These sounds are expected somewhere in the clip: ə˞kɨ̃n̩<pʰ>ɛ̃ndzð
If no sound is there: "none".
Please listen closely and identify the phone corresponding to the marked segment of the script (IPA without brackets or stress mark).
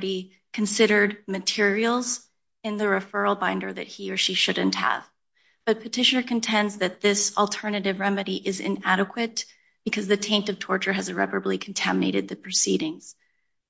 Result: tʰ